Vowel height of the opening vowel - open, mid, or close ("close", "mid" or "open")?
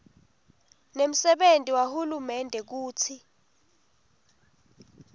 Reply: mid